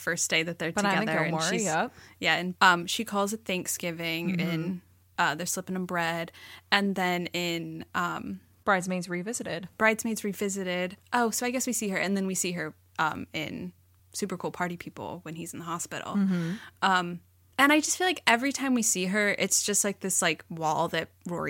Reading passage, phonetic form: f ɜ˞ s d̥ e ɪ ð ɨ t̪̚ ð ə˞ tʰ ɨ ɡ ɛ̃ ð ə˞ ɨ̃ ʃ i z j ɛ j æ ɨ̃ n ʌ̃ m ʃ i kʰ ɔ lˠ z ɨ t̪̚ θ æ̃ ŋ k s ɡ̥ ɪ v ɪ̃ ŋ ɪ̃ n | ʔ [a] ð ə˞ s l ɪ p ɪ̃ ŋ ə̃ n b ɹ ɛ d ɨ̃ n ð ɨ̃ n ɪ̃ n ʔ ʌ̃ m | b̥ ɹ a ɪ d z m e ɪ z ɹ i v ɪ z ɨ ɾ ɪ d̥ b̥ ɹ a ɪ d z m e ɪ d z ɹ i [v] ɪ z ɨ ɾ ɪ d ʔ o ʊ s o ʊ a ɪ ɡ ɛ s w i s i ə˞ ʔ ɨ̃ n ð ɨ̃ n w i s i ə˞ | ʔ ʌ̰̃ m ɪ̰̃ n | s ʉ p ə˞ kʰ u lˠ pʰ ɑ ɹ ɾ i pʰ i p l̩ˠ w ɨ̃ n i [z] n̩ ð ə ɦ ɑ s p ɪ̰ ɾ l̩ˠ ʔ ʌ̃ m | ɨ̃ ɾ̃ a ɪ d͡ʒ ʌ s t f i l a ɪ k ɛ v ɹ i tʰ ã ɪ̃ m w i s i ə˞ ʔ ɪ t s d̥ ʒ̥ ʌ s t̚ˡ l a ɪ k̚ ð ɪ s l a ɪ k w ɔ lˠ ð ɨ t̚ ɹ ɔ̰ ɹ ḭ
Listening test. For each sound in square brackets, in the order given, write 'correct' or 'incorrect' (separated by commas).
incorrect, correct, correct